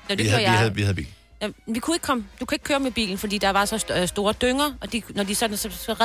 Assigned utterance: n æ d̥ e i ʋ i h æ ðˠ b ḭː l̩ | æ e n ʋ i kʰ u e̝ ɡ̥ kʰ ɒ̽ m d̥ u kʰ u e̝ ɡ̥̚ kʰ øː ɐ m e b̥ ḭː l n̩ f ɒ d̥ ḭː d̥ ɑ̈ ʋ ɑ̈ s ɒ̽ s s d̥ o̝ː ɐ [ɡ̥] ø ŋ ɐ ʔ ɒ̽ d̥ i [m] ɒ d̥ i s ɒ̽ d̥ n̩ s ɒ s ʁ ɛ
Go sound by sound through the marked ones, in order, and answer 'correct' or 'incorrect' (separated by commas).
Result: incorrect, incorrect